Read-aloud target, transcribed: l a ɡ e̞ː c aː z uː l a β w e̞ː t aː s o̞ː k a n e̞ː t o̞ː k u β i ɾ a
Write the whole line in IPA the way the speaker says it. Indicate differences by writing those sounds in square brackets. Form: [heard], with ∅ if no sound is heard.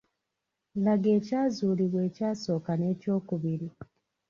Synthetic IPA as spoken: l a ɡ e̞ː c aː z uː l [i] β w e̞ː [c] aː s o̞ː k a n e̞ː [c] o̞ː k u β i ɾ [i]